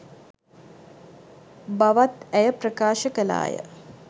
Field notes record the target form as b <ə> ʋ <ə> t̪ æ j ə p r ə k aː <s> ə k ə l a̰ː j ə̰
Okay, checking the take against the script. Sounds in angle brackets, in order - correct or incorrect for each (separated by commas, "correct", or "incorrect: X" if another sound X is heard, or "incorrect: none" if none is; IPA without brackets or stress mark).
incorrect: a, incorrect: a, incorrect: ʃ